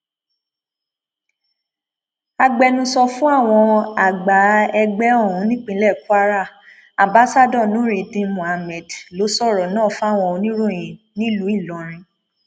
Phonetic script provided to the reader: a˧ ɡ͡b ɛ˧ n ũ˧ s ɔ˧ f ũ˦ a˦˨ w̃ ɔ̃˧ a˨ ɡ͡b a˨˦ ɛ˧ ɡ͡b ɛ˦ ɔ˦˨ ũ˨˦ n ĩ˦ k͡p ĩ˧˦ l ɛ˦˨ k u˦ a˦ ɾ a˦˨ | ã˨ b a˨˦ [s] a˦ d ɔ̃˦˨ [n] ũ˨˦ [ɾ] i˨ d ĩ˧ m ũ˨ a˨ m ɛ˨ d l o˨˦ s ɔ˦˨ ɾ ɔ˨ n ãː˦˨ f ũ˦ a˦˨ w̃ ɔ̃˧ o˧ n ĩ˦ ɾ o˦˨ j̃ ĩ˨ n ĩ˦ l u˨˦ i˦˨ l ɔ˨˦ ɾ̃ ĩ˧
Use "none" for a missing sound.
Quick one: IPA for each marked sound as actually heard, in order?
s, n, ɾ

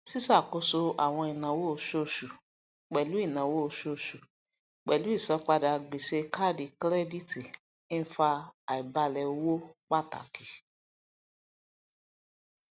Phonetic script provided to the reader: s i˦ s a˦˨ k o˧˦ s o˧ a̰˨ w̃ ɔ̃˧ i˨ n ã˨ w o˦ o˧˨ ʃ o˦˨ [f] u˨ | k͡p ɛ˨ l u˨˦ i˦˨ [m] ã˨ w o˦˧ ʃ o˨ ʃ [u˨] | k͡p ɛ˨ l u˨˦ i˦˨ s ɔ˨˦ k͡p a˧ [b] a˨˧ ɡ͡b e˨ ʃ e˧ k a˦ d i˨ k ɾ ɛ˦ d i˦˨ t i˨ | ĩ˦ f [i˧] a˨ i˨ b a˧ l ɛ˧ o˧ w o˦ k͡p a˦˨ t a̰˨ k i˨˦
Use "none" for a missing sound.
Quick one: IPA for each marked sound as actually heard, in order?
ʃ, n, u˨, d, a˧

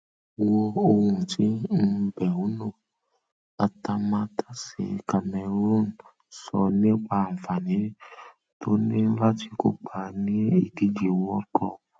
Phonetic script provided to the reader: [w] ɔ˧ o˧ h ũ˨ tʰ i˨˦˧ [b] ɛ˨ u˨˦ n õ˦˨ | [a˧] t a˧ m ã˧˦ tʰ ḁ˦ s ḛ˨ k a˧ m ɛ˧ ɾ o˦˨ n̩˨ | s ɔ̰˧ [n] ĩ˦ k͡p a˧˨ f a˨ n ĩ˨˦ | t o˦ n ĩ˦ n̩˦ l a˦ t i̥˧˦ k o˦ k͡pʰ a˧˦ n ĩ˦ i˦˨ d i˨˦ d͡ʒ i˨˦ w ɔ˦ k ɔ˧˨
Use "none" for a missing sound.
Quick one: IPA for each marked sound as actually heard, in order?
w, b, a˧, n

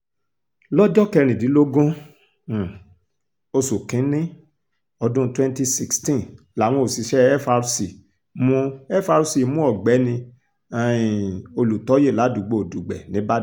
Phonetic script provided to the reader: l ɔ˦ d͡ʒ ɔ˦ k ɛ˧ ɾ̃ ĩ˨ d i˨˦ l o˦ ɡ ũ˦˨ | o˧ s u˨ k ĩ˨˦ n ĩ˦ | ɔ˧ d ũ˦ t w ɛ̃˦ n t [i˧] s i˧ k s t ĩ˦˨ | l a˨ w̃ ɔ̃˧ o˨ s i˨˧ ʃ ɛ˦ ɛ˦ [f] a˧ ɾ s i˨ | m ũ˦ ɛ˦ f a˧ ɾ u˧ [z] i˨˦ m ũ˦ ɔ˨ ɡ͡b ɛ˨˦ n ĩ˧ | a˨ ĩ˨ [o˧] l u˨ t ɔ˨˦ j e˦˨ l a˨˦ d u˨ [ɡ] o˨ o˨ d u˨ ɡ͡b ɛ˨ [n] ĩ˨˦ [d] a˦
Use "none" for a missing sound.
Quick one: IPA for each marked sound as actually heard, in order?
i˧, f, s, o˧, ɡ͡b, n, b

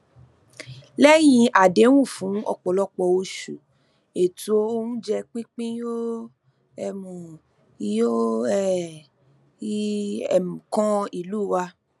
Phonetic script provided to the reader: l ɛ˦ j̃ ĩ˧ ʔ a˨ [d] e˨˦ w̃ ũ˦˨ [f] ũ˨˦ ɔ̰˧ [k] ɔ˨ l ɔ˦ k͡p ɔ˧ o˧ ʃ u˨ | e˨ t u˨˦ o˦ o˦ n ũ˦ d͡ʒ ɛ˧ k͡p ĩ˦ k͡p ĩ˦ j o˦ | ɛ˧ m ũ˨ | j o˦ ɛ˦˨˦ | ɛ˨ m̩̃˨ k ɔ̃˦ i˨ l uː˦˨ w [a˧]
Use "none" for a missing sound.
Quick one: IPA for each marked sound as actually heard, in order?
d, f, k͡p, a˧

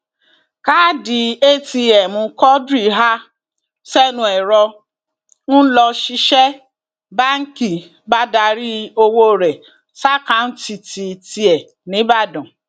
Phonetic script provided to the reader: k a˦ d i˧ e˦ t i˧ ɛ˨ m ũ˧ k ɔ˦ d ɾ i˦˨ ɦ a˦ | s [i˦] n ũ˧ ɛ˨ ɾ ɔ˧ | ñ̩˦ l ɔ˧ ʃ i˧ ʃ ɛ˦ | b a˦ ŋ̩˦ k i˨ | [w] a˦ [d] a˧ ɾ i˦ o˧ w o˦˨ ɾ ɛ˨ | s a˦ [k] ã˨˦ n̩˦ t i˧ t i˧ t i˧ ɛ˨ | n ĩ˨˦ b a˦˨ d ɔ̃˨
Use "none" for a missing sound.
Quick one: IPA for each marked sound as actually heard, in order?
ɛ˦, b, d, k

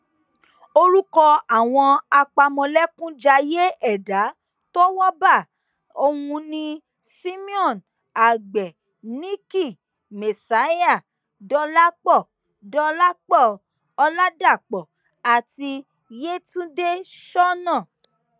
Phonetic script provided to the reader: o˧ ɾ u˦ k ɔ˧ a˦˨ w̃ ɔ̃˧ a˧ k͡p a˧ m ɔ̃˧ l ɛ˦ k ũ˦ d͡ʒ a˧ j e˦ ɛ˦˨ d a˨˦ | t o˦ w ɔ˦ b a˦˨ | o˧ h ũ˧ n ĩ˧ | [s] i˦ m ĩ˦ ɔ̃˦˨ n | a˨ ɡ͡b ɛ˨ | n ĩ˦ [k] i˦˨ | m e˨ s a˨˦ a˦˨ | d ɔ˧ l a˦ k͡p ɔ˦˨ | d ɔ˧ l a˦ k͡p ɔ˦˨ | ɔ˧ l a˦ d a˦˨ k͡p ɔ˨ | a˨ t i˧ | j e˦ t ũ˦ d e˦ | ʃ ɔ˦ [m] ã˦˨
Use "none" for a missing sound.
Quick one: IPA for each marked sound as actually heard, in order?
s, k, n

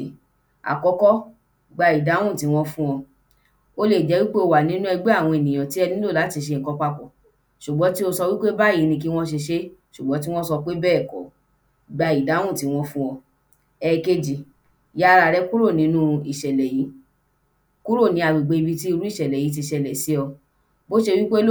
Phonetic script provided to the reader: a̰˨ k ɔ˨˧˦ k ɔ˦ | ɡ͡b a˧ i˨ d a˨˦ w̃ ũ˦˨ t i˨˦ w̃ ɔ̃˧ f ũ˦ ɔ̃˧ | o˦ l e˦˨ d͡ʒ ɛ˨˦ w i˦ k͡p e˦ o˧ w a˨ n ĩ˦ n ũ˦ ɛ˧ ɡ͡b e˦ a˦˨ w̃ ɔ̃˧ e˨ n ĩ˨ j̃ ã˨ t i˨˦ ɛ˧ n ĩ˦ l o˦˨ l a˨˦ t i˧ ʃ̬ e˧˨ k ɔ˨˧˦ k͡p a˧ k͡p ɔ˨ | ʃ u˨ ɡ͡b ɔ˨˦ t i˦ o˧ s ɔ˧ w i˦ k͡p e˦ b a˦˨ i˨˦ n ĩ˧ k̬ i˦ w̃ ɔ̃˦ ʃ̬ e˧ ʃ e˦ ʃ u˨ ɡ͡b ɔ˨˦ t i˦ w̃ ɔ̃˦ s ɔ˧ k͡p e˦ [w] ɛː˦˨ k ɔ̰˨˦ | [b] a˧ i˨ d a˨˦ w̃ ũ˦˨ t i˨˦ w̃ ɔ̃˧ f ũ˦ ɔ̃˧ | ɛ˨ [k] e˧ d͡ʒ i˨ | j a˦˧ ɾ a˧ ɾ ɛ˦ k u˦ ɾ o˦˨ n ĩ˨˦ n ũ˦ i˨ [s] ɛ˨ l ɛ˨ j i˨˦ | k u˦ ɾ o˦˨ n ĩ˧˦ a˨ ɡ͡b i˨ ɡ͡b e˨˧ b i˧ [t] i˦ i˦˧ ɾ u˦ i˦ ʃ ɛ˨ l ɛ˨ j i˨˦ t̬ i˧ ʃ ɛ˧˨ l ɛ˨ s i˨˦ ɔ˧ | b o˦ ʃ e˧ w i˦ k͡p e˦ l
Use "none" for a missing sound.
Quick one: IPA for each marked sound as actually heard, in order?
b, ɡ͡b, k, ʃ, t

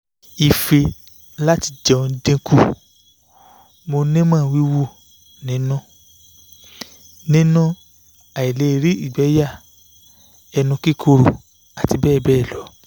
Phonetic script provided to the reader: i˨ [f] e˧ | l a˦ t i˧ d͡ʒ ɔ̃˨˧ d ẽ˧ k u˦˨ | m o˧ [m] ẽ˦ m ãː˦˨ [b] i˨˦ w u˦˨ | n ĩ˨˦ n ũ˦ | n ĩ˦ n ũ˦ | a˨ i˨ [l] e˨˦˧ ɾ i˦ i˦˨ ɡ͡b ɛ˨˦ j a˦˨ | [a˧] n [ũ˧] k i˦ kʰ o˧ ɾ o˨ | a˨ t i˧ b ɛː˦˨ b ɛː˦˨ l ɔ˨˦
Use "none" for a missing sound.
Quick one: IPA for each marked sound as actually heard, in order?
f, n, w, l, ɛ˧, ũ˧

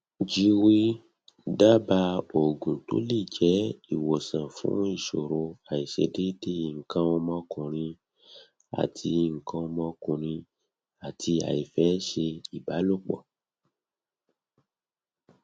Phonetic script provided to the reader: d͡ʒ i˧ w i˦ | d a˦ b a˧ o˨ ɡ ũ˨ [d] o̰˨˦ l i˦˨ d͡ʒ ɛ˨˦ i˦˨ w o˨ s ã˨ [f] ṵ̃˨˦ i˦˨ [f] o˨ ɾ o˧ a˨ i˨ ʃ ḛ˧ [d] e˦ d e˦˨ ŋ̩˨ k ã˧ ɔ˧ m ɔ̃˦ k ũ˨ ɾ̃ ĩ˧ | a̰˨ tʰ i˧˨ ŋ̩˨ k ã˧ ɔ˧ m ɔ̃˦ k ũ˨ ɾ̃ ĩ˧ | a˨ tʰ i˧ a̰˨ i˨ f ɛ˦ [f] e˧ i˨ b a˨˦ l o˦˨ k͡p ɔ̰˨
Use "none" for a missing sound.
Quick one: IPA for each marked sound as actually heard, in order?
t, f, ʃ, d, ʃ

